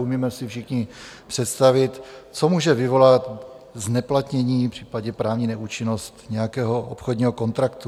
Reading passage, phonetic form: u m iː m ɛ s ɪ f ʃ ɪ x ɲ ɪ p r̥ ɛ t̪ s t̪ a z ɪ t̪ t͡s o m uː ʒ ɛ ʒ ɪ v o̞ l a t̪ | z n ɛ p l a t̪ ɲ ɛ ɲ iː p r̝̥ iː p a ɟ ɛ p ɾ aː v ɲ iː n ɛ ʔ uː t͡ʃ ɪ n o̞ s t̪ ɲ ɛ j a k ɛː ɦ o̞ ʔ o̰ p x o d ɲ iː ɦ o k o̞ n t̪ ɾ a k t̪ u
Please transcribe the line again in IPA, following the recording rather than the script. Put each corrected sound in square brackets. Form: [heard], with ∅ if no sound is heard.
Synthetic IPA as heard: u m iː m ɛ s ɪ f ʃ ɪ x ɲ ɪ p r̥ ɛ t̪ s t̪ a [v] ɪ t̪ t͡s o m uː ʒ ɛ [v] ɪ v o̞ l a t̪ | z n ɛ p l a t̪ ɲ ɛ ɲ iː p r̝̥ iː p a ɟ ɛ p ɾ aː v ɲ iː n ɛ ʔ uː t͡ʃ ɪ n o̞ s t̪ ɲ ɛ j a k ɛː ɦ o̞ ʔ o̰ p x o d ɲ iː ɦ o k o̞ n t̪ ɾ a k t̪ u